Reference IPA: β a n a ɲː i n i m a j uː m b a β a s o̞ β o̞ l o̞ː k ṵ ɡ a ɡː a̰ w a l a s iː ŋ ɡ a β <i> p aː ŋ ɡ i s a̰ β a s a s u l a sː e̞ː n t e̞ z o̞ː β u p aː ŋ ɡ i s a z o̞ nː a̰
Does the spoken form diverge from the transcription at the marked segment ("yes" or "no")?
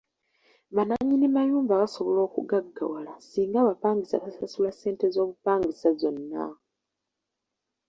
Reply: yes